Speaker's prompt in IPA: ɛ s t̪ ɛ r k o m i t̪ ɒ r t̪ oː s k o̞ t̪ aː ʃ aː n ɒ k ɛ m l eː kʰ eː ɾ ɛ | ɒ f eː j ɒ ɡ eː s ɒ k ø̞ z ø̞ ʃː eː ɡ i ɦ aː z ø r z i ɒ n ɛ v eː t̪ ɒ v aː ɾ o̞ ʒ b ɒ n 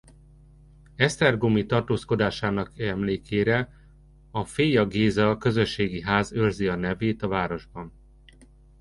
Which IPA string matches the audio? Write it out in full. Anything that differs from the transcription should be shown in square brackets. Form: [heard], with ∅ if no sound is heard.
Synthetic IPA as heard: ɛ s t̪ ɛ r [ɡ] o m i t̪ ɒ r t̪ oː s k o̞ [d̪] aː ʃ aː n ɒ k ɛ m l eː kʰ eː ɾ ɛ | ɒ f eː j ɒ ɡ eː [z] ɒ k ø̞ z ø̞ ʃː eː ɡ i ɦ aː z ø r z i ɒ n ɛ v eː t̪ ɒ v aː ɾ o̞ ʒ b ɒ n